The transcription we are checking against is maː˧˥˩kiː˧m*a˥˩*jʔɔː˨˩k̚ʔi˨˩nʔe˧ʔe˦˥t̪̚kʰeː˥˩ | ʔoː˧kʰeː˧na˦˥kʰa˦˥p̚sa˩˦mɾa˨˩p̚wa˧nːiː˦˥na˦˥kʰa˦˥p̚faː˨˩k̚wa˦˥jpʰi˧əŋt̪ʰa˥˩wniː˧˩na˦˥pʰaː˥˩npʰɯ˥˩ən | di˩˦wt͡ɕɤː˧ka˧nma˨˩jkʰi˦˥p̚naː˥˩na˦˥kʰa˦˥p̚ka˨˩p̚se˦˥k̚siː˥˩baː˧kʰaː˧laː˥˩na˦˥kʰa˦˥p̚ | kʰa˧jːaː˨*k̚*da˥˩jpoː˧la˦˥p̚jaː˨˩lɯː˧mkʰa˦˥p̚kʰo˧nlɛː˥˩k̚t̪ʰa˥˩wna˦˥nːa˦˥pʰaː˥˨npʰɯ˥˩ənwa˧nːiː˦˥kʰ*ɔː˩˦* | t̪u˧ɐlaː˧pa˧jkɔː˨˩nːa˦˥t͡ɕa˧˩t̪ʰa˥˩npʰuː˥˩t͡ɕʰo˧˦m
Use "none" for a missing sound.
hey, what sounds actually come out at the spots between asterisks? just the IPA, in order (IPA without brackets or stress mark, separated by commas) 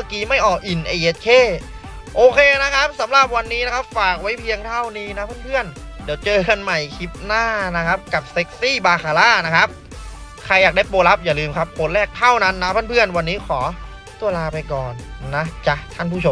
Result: a˥˩, k̚, ɔː˩˦